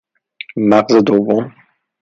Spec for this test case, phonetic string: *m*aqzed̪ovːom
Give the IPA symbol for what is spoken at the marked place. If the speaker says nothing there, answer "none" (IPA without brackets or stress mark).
m